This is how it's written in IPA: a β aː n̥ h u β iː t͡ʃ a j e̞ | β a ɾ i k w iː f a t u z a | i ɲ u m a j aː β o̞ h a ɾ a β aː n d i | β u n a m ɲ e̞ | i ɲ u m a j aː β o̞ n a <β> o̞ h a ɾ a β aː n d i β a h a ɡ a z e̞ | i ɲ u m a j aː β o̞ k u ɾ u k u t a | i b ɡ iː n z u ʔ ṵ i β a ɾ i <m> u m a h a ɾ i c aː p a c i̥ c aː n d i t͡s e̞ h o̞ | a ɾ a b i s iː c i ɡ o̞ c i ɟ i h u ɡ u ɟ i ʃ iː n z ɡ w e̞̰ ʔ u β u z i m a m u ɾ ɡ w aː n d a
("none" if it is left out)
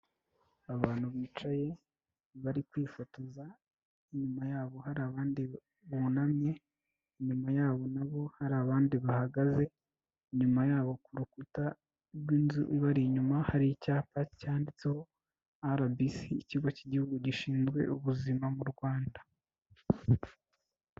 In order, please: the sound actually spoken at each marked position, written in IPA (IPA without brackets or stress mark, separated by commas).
β, ɲ